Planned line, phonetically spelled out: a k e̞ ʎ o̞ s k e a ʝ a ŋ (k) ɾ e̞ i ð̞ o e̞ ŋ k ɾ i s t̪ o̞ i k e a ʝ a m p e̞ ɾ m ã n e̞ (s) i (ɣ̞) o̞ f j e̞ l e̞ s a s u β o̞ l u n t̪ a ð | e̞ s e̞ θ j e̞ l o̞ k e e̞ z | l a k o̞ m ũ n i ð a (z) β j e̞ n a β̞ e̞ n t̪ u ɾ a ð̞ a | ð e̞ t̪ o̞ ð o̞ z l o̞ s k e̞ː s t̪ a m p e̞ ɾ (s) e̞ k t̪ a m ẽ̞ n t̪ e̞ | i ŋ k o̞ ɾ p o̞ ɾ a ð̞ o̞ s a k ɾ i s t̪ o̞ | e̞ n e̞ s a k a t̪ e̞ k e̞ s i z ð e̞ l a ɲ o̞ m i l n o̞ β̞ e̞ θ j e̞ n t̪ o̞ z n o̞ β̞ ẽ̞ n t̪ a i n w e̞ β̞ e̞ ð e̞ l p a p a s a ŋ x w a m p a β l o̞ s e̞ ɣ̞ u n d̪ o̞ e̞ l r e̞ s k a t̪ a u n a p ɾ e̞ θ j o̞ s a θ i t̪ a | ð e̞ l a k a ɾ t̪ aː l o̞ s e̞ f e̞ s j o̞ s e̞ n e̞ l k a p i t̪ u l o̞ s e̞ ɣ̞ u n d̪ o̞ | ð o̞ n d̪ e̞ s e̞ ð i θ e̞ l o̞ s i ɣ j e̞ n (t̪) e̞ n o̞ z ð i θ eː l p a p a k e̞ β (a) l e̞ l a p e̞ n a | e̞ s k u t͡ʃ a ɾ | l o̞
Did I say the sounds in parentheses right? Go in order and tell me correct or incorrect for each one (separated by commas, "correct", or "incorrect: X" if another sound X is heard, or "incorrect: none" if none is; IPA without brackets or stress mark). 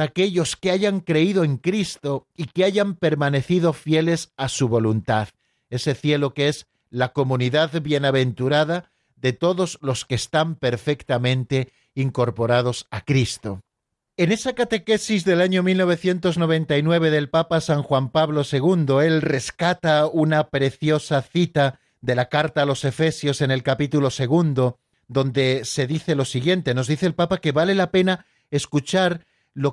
correct, incorrect: θ, incorrect: ð̞, incorrect: ð, incorrect: f, correct, correct